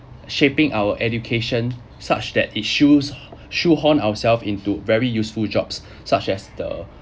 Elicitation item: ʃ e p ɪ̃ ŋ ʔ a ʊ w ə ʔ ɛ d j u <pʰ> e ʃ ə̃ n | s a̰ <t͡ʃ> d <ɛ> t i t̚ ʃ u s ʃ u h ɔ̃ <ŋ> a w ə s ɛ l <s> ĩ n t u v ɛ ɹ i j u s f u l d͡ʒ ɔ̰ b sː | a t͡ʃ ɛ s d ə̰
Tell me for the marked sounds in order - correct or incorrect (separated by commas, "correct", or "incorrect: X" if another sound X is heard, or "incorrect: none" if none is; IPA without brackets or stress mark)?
incorrect: kʰ, correct, correct, incorrect: n, incorrect: f